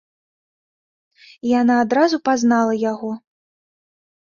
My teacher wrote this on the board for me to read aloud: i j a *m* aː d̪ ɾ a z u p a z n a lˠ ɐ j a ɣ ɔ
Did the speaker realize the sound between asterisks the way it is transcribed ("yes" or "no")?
no